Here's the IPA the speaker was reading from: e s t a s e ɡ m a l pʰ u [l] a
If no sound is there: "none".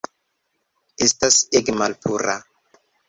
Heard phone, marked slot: ɾ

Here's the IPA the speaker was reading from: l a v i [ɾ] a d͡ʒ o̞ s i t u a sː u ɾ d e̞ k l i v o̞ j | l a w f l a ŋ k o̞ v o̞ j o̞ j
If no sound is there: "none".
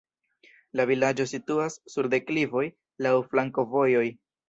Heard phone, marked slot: l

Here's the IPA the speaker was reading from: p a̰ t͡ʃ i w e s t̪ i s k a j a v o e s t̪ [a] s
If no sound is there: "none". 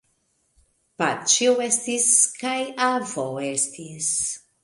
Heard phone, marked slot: i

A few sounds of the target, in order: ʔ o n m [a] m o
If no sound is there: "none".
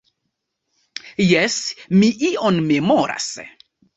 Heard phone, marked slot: e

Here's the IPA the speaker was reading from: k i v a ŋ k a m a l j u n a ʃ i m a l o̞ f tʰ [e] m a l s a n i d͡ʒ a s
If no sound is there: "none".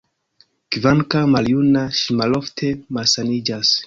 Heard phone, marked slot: e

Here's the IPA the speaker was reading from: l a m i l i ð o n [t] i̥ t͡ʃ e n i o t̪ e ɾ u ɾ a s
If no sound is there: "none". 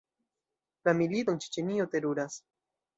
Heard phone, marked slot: t͡ʃ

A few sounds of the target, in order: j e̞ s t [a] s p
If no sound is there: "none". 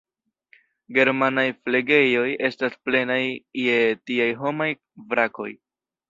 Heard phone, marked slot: a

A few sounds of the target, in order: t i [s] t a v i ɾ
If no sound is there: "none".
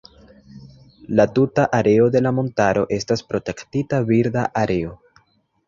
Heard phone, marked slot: none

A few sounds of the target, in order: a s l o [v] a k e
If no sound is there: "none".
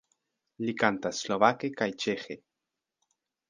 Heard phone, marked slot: β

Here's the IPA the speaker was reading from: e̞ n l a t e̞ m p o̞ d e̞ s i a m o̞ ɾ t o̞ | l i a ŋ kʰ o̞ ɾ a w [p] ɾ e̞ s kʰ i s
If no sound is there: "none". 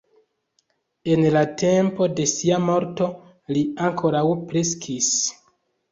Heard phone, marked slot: p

